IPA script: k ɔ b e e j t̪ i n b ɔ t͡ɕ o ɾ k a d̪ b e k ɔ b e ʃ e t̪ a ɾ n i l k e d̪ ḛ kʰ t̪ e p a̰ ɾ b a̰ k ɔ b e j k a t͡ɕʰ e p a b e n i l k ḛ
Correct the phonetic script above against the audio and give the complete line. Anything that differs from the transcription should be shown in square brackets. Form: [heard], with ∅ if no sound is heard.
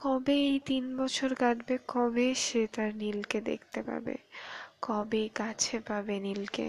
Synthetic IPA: k ɔ b e e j t̪ i n b ɔ [t͡ɕʰ] o ɾ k a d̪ b e k ɔ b e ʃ e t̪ a ɾ n i l k e d̪ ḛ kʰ t̪ e p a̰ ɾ b [ḛ] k ɔ b e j k a t͡ɕʰ e p a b e n i l k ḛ